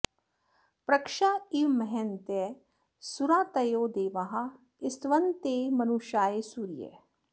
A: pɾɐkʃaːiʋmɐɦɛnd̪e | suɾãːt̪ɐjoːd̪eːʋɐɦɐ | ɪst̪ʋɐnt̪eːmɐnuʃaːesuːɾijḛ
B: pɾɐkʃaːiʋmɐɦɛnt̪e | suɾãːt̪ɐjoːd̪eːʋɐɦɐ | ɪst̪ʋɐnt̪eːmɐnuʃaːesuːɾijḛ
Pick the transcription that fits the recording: B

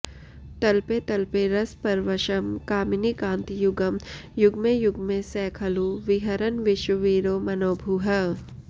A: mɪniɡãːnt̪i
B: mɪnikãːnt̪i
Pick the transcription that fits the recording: B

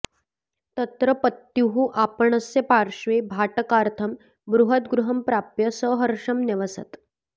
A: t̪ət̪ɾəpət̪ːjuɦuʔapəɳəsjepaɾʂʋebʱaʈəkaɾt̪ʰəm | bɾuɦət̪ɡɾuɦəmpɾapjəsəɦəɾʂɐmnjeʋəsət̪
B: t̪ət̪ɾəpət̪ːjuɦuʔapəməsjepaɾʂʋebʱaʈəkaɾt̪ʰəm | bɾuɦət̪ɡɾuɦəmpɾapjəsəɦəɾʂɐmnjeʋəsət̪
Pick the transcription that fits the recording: A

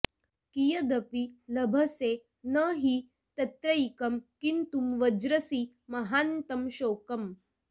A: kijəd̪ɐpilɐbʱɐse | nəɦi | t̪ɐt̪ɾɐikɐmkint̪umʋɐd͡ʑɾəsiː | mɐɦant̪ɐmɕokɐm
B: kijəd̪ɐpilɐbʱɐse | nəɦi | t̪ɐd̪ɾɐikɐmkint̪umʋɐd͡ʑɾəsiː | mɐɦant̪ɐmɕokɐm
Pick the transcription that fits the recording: A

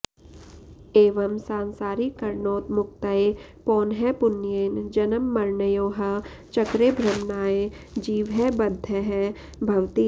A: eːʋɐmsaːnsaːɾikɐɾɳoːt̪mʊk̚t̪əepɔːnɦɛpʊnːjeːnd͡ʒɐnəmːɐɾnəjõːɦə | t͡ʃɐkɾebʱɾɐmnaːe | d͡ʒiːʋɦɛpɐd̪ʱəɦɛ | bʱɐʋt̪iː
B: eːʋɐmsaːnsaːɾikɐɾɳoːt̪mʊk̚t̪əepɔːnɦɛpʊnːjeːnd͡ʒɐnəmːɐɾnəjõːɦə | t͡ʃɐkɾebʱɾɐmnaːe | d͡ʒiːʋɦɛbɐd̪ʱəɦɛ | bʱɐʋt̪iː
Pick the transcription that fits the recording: B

